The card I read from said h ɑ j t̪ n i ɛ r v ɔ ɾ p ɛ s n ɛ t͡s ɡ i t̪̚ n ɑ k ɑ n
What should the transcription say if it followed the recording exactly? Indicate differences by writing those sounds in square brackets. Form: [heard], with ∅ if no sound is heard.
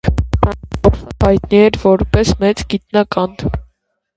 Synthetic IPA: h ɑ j t̪ n i ɛ [ɾ] v ɔ ɾ p ɛ s [m] ɛ t͡s ɡ i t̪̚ n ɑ k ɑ n